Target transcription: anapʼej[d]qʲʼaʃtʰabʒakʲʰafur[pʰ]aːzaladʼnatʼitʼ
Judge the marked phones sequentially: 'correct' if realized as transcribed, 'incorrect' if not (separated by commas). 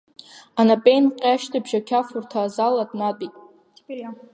incorrect, incorrect